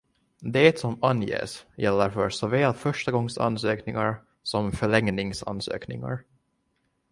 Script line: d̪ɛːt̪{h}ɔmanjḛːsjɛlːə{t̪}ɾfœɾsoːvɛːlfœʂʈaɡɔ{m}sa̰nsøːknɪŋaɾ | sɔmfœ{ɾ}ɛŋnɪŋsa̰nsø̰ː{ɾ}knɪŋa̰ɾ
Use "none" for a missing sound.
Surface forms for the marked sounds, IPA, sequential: s, none, ŋ, ɭ, none

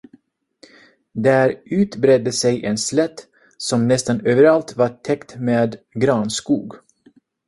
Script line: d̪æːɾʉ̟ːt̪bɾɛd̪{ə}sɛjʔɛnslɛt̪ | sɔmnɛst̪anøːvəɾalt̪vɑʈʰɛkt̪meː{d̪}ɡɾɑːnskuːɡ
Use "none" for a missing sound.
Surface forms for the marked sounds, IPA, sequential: ə, d̪

